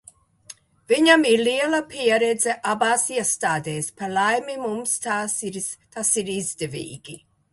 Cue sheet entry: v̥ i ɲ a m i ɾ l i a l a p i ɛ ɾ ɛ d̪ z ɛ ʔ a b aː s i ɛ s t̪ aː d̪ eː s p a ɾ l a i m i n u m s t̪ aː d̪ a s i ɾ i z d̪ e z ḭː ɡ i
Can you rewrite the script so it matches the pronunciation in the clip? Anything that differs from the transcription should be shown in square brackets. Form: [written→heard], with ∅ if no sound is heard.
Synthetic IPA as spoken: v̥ i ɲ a m i ɾ l i [a→ɛ] l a p i ɛ ɾ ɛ d̪ z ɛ ʔ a b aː s i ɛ s t̪ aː d̪ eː s p a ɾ l a [i→j] m i [n→m] u m s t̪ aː [d̪→t̪] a s i ɾ i z d̪ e [z→v] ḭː ɡ i

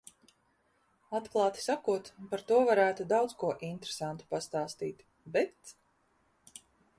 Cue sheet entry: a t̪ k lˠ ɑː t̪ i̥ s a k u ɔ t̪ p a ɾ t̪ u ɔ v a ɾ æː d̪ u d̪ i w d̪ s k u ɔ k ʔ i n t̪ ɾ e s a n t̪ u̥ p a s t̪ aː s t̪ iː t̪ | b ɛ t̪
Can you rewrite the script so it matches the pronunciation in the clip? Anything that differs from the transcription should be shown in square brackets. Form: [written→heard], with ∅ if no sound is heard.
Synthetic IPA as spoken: a t̪ k lˠ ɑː t̪ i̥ s a k u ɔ t̪ p a ɾ t̪ u ɔ v a ɾ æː [d̪→t̪] u d̪ [i→a] w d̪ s k u ɔ [k→∅] ʔ i n t̪ ɾ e s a n t̪ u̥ p a s t̪ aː s t̪ iː t̪ | b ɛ t̪

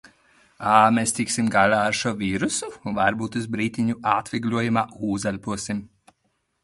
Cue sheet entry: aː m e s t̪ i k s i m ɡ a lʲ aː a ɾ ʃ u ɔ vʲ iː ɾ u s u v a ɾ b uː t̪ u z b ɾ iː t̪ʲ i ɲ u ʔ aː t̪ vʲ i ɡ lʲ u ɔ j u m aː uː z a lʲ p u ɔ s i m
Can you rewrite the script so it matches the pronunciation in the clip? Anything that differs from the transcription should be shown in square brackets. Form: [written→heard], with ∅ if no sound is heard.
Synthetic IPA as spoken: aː m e s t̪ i k s i m ɡ a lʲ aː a ɾ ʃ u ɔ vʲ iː ɾ u s u v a ɾ b uː t̪ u z b ɾ iː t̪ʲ i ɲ u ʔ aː t̪ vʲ i ɡ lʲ u ɔ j u m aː uː z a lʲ p u ɔ s i m

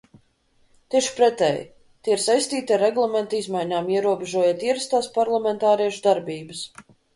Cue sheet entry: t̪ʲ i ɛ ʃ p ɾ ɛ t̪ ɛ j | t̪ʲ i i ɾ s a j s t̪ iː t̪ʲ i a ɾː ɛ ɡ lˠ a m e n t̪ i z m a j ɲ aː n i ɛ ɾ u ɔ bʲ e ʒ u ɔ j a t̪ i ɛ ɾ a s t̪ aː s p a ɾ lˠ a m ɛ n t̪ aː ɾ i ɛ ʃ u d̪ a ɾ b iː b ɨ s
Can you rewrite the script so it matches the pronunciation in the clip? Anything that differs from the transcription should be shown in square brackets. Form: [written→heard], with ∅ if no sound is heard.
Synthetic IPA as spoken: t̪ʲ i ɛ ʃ p ɾ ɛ t̪ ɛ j | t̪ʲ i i ɾ s a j s t̪ iː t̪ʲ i a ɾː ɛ ɡ lˠ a m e n t̪ i z m a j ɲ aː [n→m] i ɛ ɾ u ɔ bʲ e ʒ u ɔ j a t̪ i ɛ ɾ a s t̪ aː s p a ɾ lˠ a m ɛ n t̪ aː ɾ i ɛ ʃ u d̪ a ɾ b iː b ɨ s

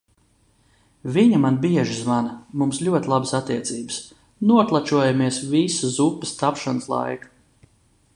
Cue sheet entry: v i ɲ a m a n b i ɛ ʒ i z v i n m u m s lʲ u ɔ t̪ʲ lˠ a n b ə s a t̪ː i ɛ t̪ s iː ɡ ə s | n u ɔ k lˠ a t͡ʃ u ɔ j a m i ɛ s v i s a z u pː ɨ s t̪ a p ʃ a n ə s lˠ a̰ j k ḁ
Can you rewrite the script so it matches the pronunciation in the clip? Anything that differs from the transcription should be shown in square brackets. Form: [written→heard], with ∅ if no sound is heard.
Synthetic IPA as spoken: v i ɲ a m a n b i ɛ ʒ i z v [i→a] n m u m s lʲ u ɔ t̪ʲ lˠ a [n→∅] b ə s a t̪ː i ɛ t̪ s iː [ɡ→b] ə s | n u ɔ k lˠ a t͡ʃ u ɔ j a m i ɛ s v i s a z u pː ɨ s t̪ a p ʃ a n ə s lˠ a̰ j k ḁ

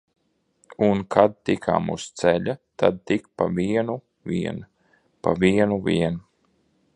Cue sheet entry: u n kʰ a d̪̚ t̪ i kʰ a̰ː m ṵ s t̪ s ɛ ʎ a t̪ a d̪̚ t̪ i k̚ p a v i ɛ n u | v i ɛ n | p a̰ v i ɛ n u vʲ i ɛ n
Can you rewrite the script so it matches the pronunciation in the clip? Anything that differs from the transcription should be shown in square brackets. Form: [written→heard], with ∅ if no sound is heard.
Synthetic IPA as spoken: u n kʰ a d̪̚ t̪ i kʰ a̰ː m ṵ s t̪ s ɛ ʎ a t̪ a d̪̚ t̪ i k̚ p a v i ɛ n u | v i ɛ n | p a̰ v i ɛ n u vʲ i ɛ n

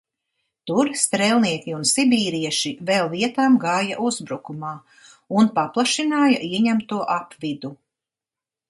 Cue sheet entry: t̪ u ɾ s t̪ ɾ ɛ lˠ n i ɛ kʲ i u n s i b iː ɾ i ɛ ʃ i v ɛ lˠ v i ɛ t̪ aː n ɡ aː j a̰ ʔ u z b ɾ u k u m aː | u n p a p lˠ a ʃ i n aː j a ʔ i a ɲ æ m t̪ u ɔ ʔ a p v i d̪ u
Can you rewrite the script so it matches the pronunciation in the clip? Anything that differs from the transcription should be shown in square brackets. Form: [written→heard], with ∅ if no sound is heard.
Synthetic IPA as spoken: t̪ u ɾ s t̪ ɾ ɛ lˠ n i ɛ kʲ i u n s i b iː ɾ i ɛ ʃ i v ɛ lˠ v i ɛ t̪ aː [n→m] ɡ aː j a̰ ʔ u z b ɾ u k u m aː | u n p a p lˠ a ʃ i n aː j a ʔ i [a→ɛ] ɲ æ m t̪ u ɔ ʔ a p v i d̪ u

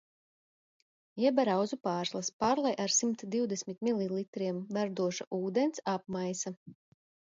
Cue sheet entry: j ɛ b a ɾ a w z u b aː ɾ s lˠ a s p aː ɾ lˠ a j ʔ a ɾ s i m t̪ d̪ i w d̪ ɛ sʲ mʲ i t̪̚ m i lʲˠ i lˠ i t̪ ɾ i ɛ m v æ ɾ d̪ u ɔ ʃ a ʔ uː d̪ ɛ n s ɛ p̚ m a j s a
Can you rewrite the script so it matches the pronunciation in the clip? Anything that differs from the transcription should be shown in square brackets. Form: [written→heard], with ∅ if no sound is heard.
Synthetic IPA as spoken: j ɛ b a ɾ a w z u [b→p] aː ɾ s lˠ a s p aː ɾ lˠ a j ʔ a ɾ s i m t̪ d̪ i w d̪ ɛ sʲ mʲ i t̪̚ m i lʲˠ i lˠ i t̪ ɾ i ɛ m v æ ɾ d̪ u ɔ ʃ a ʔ uː d̪ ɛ n s [ɛ→a] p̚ m a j s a

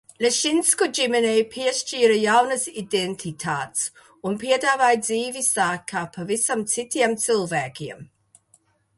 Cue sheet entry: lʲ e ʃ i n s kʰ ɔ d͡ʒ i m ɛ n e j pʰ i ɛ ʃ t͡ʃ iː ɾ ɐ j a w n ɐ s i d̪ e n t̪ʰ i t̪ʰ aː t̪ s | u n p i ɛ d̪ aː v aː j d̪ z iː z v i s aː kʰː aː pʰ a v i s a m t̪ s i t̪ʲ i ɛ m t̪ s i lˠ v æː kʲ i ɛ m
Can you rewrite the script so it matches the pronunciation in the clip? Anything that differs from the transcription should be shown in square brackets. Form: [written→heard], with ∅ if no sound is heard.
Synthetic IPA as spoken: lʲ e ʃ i n s [kʰ→k] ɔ d͡ʒ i m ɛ n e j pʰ i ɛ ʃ t͡ʃ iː ɾ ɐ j a w n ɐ s i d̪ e n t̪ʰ i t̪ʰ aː t̪ s | u n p i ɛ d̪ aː v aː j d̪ z iː [z→∅] v i s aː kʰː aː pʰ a v i s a m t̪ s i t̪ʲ i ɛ m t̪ s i lˠ v æː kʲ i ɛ m

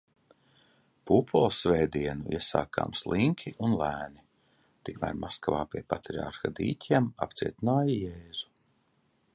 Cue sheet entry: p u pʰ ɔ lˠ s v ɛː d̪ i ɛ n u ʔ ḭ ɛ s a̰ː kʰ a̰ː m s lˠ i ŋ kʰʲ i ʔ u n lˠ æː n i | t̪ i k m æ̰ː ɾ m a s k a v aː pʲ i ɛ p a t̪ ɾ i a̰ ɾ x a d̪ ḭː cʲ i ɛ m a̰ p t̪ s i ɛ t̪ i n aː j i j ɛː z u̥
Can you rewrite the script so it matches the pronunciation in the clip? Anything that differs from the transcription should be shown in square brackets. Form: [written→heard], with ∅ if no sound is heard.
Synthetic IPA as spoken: p u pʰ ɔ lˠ s v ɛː d̪ i ɛ n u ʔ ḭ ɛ s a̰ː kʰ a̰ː m s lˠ i ŋ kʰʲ i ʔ u n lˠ æː n i | t̪ i k m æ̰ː ɾ m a s k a v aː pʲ i ɛ p a t̪ ɾ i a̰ ɾ x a d̪ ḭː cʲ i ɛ m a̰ p t̪ s i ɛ t̪ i n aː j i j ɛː z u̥

